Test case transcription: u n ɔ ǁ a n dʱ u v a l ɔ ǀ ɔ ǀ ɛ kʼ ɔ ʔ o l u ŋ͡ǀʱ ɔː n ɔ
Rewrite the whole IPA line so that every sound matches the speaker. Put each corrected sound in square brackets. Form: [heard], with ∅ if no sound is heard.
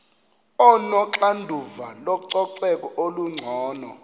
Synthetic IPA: [ɔ] n ɔ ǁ a n dʱ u v a l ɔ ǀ ɔ ǀ ɛ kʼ ɔ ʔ o l u ŋ͡ǀʱ ɔː n ɔ

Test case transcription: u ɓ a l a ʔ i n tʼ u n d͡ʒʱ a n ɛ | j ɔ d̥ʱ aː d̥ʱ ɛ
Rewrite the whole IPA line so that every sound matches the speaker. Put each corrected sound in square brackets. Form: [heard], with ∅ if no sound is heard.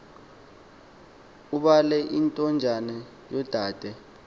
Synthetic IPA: u ɓ a l [ɛ] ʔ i n tʼ [ɔ] n d͡ʒʱ a n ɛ | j ɔ d̥ʱ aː d̥ʱ ɛ

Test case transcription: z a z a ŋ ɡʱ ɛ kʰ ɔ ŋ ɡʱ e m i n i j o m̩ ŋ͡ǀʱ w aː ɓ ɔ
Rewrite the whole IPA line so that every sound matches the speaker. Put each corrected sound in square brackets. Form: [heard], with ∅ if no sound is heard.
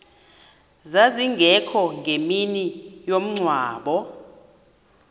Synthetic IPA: z a z [i] ŋ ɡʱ ɛ kʰ ɔ ŋ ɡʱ e m i n i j o m̩ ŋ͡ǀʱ w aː ɓ ɔ

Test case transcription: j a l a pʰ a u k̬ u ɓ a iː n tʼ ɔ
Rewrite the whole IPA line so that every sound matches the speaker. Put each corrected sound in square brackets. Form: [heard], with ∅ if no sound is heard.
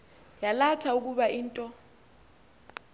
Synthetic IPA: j a l a [tʰ] a u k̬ u ɓ a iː n tʼ ɔ

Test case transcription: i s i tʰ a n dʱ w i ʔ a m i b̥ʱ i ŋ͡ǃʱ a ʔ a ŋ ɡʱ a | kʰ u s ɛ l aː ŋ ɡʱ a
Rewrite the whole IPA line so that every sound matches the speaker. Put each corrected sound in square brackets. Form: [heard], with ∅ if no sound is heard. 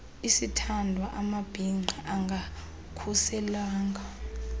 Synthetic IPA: i s i tʰ a n dʱ w [a] ʔ a m [a] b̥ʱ i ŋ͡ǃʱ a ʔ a ŋ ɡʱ a | kʰ u s ɛ l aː ŋ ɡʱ a

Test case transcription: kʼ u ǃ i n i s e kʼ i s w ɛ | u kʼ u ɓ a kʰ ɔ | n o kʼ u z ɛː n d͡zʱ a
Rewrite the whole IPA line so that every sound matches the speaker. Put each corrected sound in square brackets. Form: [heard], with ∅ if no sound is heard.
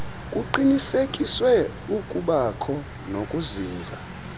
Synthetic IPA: kʼ u ǃ i n i s e kʼ i s w ɛ | u kʼ u ɓ a kʰ ɔ | n o kʼ u z [iː] n d͡zʱ a

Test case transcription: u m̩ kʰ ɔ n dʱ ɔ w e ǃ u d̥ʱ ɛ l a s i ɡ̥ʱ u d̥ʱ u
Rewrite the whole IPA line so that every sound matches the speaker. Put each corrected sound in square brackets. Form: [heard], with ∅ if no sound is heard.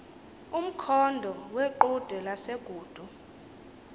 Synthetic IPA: u m̩ kʰ ɔ n dʱ ɔ w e ǃ u d̥ʱ ɛ l a s [e] ɡ̥ʱ [uː] d̥ʱ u

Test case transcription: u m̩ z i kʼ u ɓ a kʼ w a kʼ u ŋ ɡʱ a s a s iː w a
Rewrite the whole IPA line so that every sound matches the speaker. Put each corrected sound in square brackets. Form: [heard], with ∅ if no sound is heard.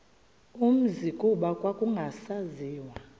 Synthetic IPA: u m̩ z i kʼ u ɓ a kʼ w a kʼ u ŋ ɡʱ a s a [z] iː w a

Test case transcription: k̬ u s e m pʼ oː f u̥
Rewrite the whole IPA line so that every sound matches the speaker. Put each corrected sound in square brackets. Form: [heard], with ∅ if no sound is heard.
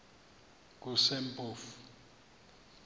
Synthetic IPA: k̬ u s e m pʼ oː f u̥

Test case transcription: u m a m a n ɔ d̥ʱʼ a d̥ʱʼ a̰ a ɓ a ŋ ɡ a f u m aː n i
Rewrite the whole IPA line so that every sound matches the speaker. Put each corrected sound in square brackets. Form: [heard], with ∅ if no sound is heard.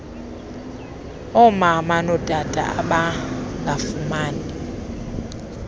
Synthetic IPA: [ɔ] m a m a n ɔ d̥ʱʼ a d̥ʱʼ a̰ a ɓ a ŋ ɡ a f u m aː n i

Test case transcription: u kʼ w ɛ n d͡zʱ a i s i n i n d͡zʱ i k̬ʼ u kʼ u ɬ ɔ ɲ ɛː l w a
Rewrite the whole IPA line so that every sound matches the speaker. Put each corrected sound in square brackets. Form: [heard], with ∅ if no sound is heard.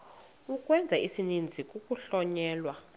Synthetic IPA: u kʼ w ɛ n d͡zʱ a i s i n i n d͡zʱ i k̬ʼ u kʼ u ɬ ɔ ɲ ɛː l w a

